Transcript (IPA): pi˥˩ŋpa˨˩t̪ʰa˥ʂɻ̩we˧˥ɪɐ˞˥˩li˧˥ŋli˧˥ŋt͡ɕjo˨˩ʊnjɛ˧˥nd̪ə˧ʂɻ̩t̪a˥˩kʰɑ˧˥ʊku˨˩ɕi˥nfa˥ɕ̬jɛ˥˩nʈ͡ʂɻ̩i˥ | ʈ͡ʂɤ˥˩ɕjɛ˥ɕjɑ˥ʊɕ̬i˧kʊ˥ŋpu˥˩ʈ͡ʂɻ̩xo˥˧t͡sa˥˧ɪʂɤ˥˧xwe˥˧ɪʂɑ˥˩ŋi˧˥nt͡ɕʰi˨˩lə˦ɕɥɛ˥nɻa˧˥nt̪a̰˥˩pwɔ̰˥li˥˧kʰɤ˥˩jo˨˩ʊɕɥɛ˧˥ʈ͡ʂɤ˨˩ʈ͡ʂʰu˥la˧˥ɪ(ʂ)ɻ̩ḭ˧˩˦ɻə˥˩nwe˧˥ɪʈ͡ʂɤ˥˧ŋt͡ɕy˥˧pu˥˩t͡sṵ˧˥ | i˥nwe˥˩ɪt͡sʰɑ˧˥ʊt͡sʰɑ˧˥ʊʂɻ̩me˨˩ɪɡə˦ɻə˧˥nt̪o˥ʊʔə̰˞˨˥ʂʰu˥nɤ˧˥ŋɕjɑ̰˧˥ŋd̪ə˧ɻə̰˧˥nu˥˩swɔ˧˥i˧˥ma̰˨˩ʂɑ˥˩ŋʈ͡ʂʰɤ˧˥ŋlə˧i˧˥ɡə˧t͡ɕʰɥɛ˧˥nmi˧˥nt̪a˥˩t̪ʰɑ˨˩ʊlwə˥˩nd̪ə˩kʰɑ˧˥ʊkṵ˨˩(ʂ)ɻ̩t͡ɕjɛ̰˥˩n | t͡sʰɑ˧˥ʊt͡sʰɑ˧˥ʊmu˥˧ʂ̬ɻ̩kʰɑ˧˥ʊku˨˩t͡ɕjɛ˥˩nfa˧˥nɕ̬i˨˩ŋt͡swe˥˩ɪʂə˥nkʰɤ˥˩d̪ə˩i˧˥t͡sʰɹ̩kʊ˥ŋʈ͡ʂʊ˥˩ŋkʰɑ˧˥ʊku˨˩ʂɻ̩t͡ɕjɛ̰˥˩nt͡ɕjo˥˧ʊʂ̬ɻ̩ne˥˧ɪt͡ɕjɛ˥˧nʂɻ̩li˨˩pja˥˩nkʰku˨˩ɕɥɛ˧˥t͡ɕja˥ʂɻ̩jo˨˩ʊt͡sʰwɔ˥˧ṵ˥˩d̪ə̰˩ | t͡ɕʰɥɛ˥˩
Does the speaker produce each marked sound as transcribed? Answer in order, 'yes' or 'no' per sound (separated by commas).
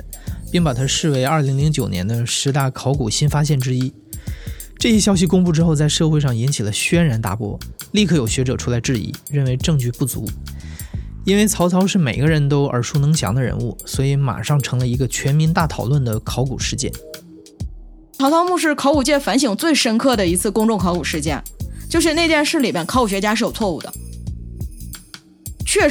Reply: no, yes